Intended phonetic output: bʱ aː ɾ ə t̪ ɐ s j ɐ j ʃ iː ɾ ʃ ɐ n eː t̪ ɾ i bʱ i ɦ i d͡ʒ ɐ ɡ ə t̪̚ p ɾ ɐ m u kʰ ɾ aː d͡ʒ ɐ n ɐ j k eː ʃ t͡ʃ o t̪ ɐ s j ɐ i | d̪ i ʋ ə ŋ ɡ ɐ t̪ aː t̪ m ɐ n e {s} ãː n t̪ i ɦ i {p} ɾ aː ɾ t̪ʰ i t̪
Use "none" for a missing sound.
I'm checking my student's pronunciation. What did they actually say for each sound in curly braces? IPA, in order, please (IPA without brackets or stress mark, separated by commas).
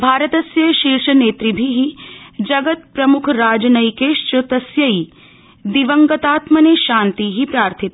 ʃ, p